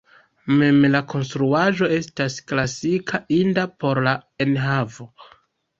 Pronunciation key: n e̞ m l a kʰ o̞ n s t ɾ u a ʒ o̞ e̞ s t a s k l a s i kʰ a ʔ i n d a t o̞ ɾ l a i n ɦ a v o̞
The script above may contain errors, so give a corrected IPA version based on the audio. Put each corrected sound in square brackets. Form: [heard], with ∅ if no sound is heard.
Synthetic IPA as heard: [m] e̞ m l a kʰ o̞ n s t ɾ u a ʒ o̞ e̞ s t a s k l a s i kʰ a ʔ i n d a [p] o̞ ɾ l a [e] n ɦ a v o̞